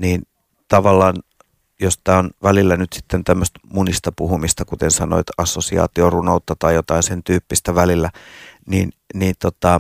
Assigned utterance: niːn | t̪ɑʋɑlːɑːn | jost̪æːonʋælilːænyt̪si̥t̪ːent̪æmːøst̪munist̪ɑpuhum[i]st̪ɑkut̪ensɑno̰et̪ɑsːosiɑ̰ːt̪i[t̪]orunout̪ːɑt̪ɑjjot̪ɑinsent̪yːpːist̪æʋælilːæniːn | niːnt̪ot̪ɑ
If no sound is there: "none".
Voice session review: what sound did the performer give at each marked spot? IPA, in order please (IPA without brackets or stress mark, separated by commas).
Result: i, none